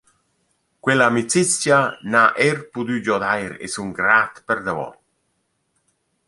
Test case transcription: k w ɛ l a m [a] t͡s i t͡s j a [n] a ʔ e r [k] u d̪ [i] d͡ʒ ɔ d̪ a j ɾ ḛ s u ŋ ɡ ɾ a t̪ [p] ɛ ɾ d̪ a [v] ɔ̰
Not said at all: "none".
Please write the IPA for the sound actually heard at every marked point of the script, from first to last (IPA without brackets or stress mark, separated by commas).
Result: i, n, p, y, p, v